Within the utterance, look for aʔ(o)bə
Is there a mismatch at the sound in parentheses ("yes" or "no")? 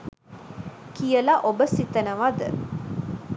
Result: no